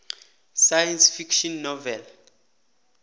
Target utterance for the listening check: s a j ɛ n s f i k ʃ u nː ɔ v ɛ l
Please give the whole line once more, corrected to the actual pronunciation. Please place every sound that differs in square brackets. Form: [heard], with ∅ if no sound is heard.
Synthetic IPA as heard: s a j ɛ n s f i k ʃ [ɔ] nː ɔ v ɛ l